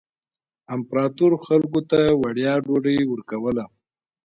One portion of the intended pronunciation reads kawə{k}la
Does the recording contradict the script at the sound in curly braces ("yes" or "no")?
yes